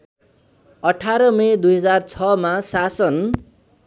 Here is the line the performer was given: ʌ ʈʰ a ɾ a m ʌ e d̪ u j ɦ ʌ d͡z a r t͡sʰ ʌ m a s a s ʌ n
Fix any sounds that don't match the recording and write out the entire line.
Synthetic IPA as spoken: ʌ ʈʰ a ɾ ʌ m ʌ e d̪ u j ɦ ʌ d͡z a r t͡sʰ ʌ m a s a s ʌ n

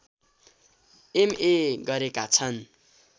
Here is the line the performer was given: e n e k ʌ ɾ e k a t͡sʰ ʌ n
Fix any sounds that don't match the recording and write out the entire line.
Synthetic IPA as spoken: e m e ɡ ʌ ɾ e k a t͡sʰ ʌ n

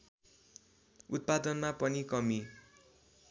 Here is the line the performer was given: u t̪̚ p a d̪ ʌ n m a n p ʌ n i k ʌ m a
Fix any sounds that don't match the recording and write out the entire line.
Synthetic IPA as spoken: u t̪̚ p a d̪ ʌ n m a p ʌ n i k ʌ m i

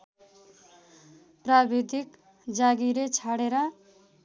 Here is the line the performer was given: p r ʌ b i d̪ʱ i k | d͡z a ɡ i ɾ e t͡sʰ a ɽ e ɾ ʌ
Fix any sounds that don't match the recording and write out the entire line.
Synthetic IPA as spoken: p r a b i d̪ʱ i k | d͡z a ɡ i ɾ e t͡sʰ a ɽ e ɾ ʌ

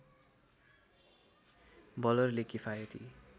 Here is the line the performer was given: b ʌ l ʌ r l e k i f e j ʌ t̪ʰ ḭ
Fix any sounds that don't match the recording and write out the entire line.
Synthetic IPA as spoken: b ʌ l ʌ r l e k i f a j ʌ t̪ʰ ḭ

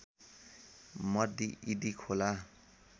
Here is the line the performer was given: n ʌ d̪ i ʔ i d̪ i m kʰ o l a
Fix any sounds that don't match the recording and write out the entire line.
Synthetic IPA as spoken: m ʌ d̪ i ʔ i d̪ i kʰ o l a

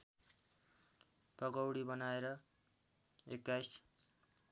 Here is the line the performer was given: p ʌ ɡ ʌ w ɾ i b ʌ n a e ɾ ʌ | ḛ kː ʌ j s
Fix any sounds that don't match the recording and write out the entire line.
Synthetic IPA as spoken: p ʌ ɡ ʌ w ɽ i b ʌ n a e ɾ ʌ | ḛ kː a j s

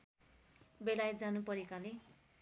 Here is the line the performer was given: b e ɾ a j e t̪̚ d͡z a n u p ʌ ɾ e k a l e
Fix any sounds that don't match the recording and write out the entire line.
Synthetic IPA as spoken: b e l a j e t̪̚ d͡z a n u p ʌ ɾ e k a l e

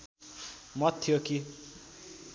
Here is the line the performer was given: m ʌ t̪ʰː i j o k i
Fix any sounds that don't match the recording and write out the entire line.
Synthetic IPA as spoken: m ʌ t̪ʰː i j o k i

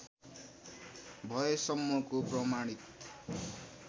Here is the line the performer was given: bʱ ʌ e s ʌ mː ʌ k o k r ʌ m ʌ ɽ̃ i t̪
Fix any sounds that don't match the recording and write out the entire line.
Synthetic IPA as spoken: bʱ ʌ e s ʌ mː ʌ k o p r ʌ m a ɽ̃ i t̪

